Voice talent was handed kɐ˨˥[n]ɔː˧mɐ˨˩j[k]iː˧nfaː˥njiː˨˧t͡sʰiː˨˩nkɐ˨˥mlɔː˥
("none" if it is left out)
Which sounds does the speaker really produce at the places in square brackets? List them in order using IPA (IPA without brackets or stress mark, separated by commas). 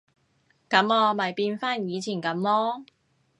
m, p